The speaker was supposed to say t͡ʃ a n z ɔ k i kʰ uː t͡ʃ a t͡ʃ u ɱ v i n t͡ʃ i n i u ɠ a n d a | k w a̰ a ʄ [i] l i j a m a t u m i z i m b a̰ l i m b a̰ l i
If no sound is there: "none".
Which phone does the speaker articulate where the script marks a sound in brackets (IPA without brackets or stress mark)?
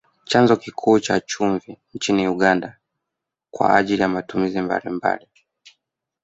i